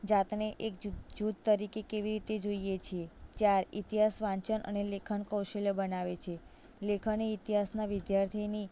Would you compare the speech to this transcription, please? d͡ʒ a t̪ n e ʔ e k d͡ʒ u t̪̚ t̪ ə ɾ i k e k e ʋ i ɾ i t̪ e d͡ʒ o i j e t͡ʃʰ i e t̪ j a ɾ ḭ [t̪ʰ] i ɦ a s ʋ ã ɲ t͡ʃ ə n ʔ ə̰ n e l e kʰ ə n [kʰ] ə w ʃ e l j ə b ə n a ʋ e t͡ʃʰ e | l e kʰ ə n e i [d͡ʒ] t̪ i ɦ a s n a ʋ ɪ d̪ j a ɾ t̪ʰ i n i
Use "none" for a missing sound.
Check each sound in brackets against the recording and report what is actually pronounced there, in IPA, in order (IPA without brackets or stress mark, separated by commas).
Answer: t̪, k, none